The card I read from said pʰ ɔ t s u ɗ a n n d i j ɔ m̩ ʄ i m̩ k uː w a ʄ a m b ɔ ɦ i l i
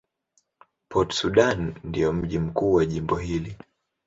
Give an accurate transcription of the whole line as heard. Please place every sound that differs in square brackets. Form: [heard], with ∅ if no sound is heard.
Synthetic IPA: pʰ ɔ t s u ɗ a n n d i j ɔ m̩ ʄ i m̩ k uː w a ʄ [i] m b ɔ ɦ i l i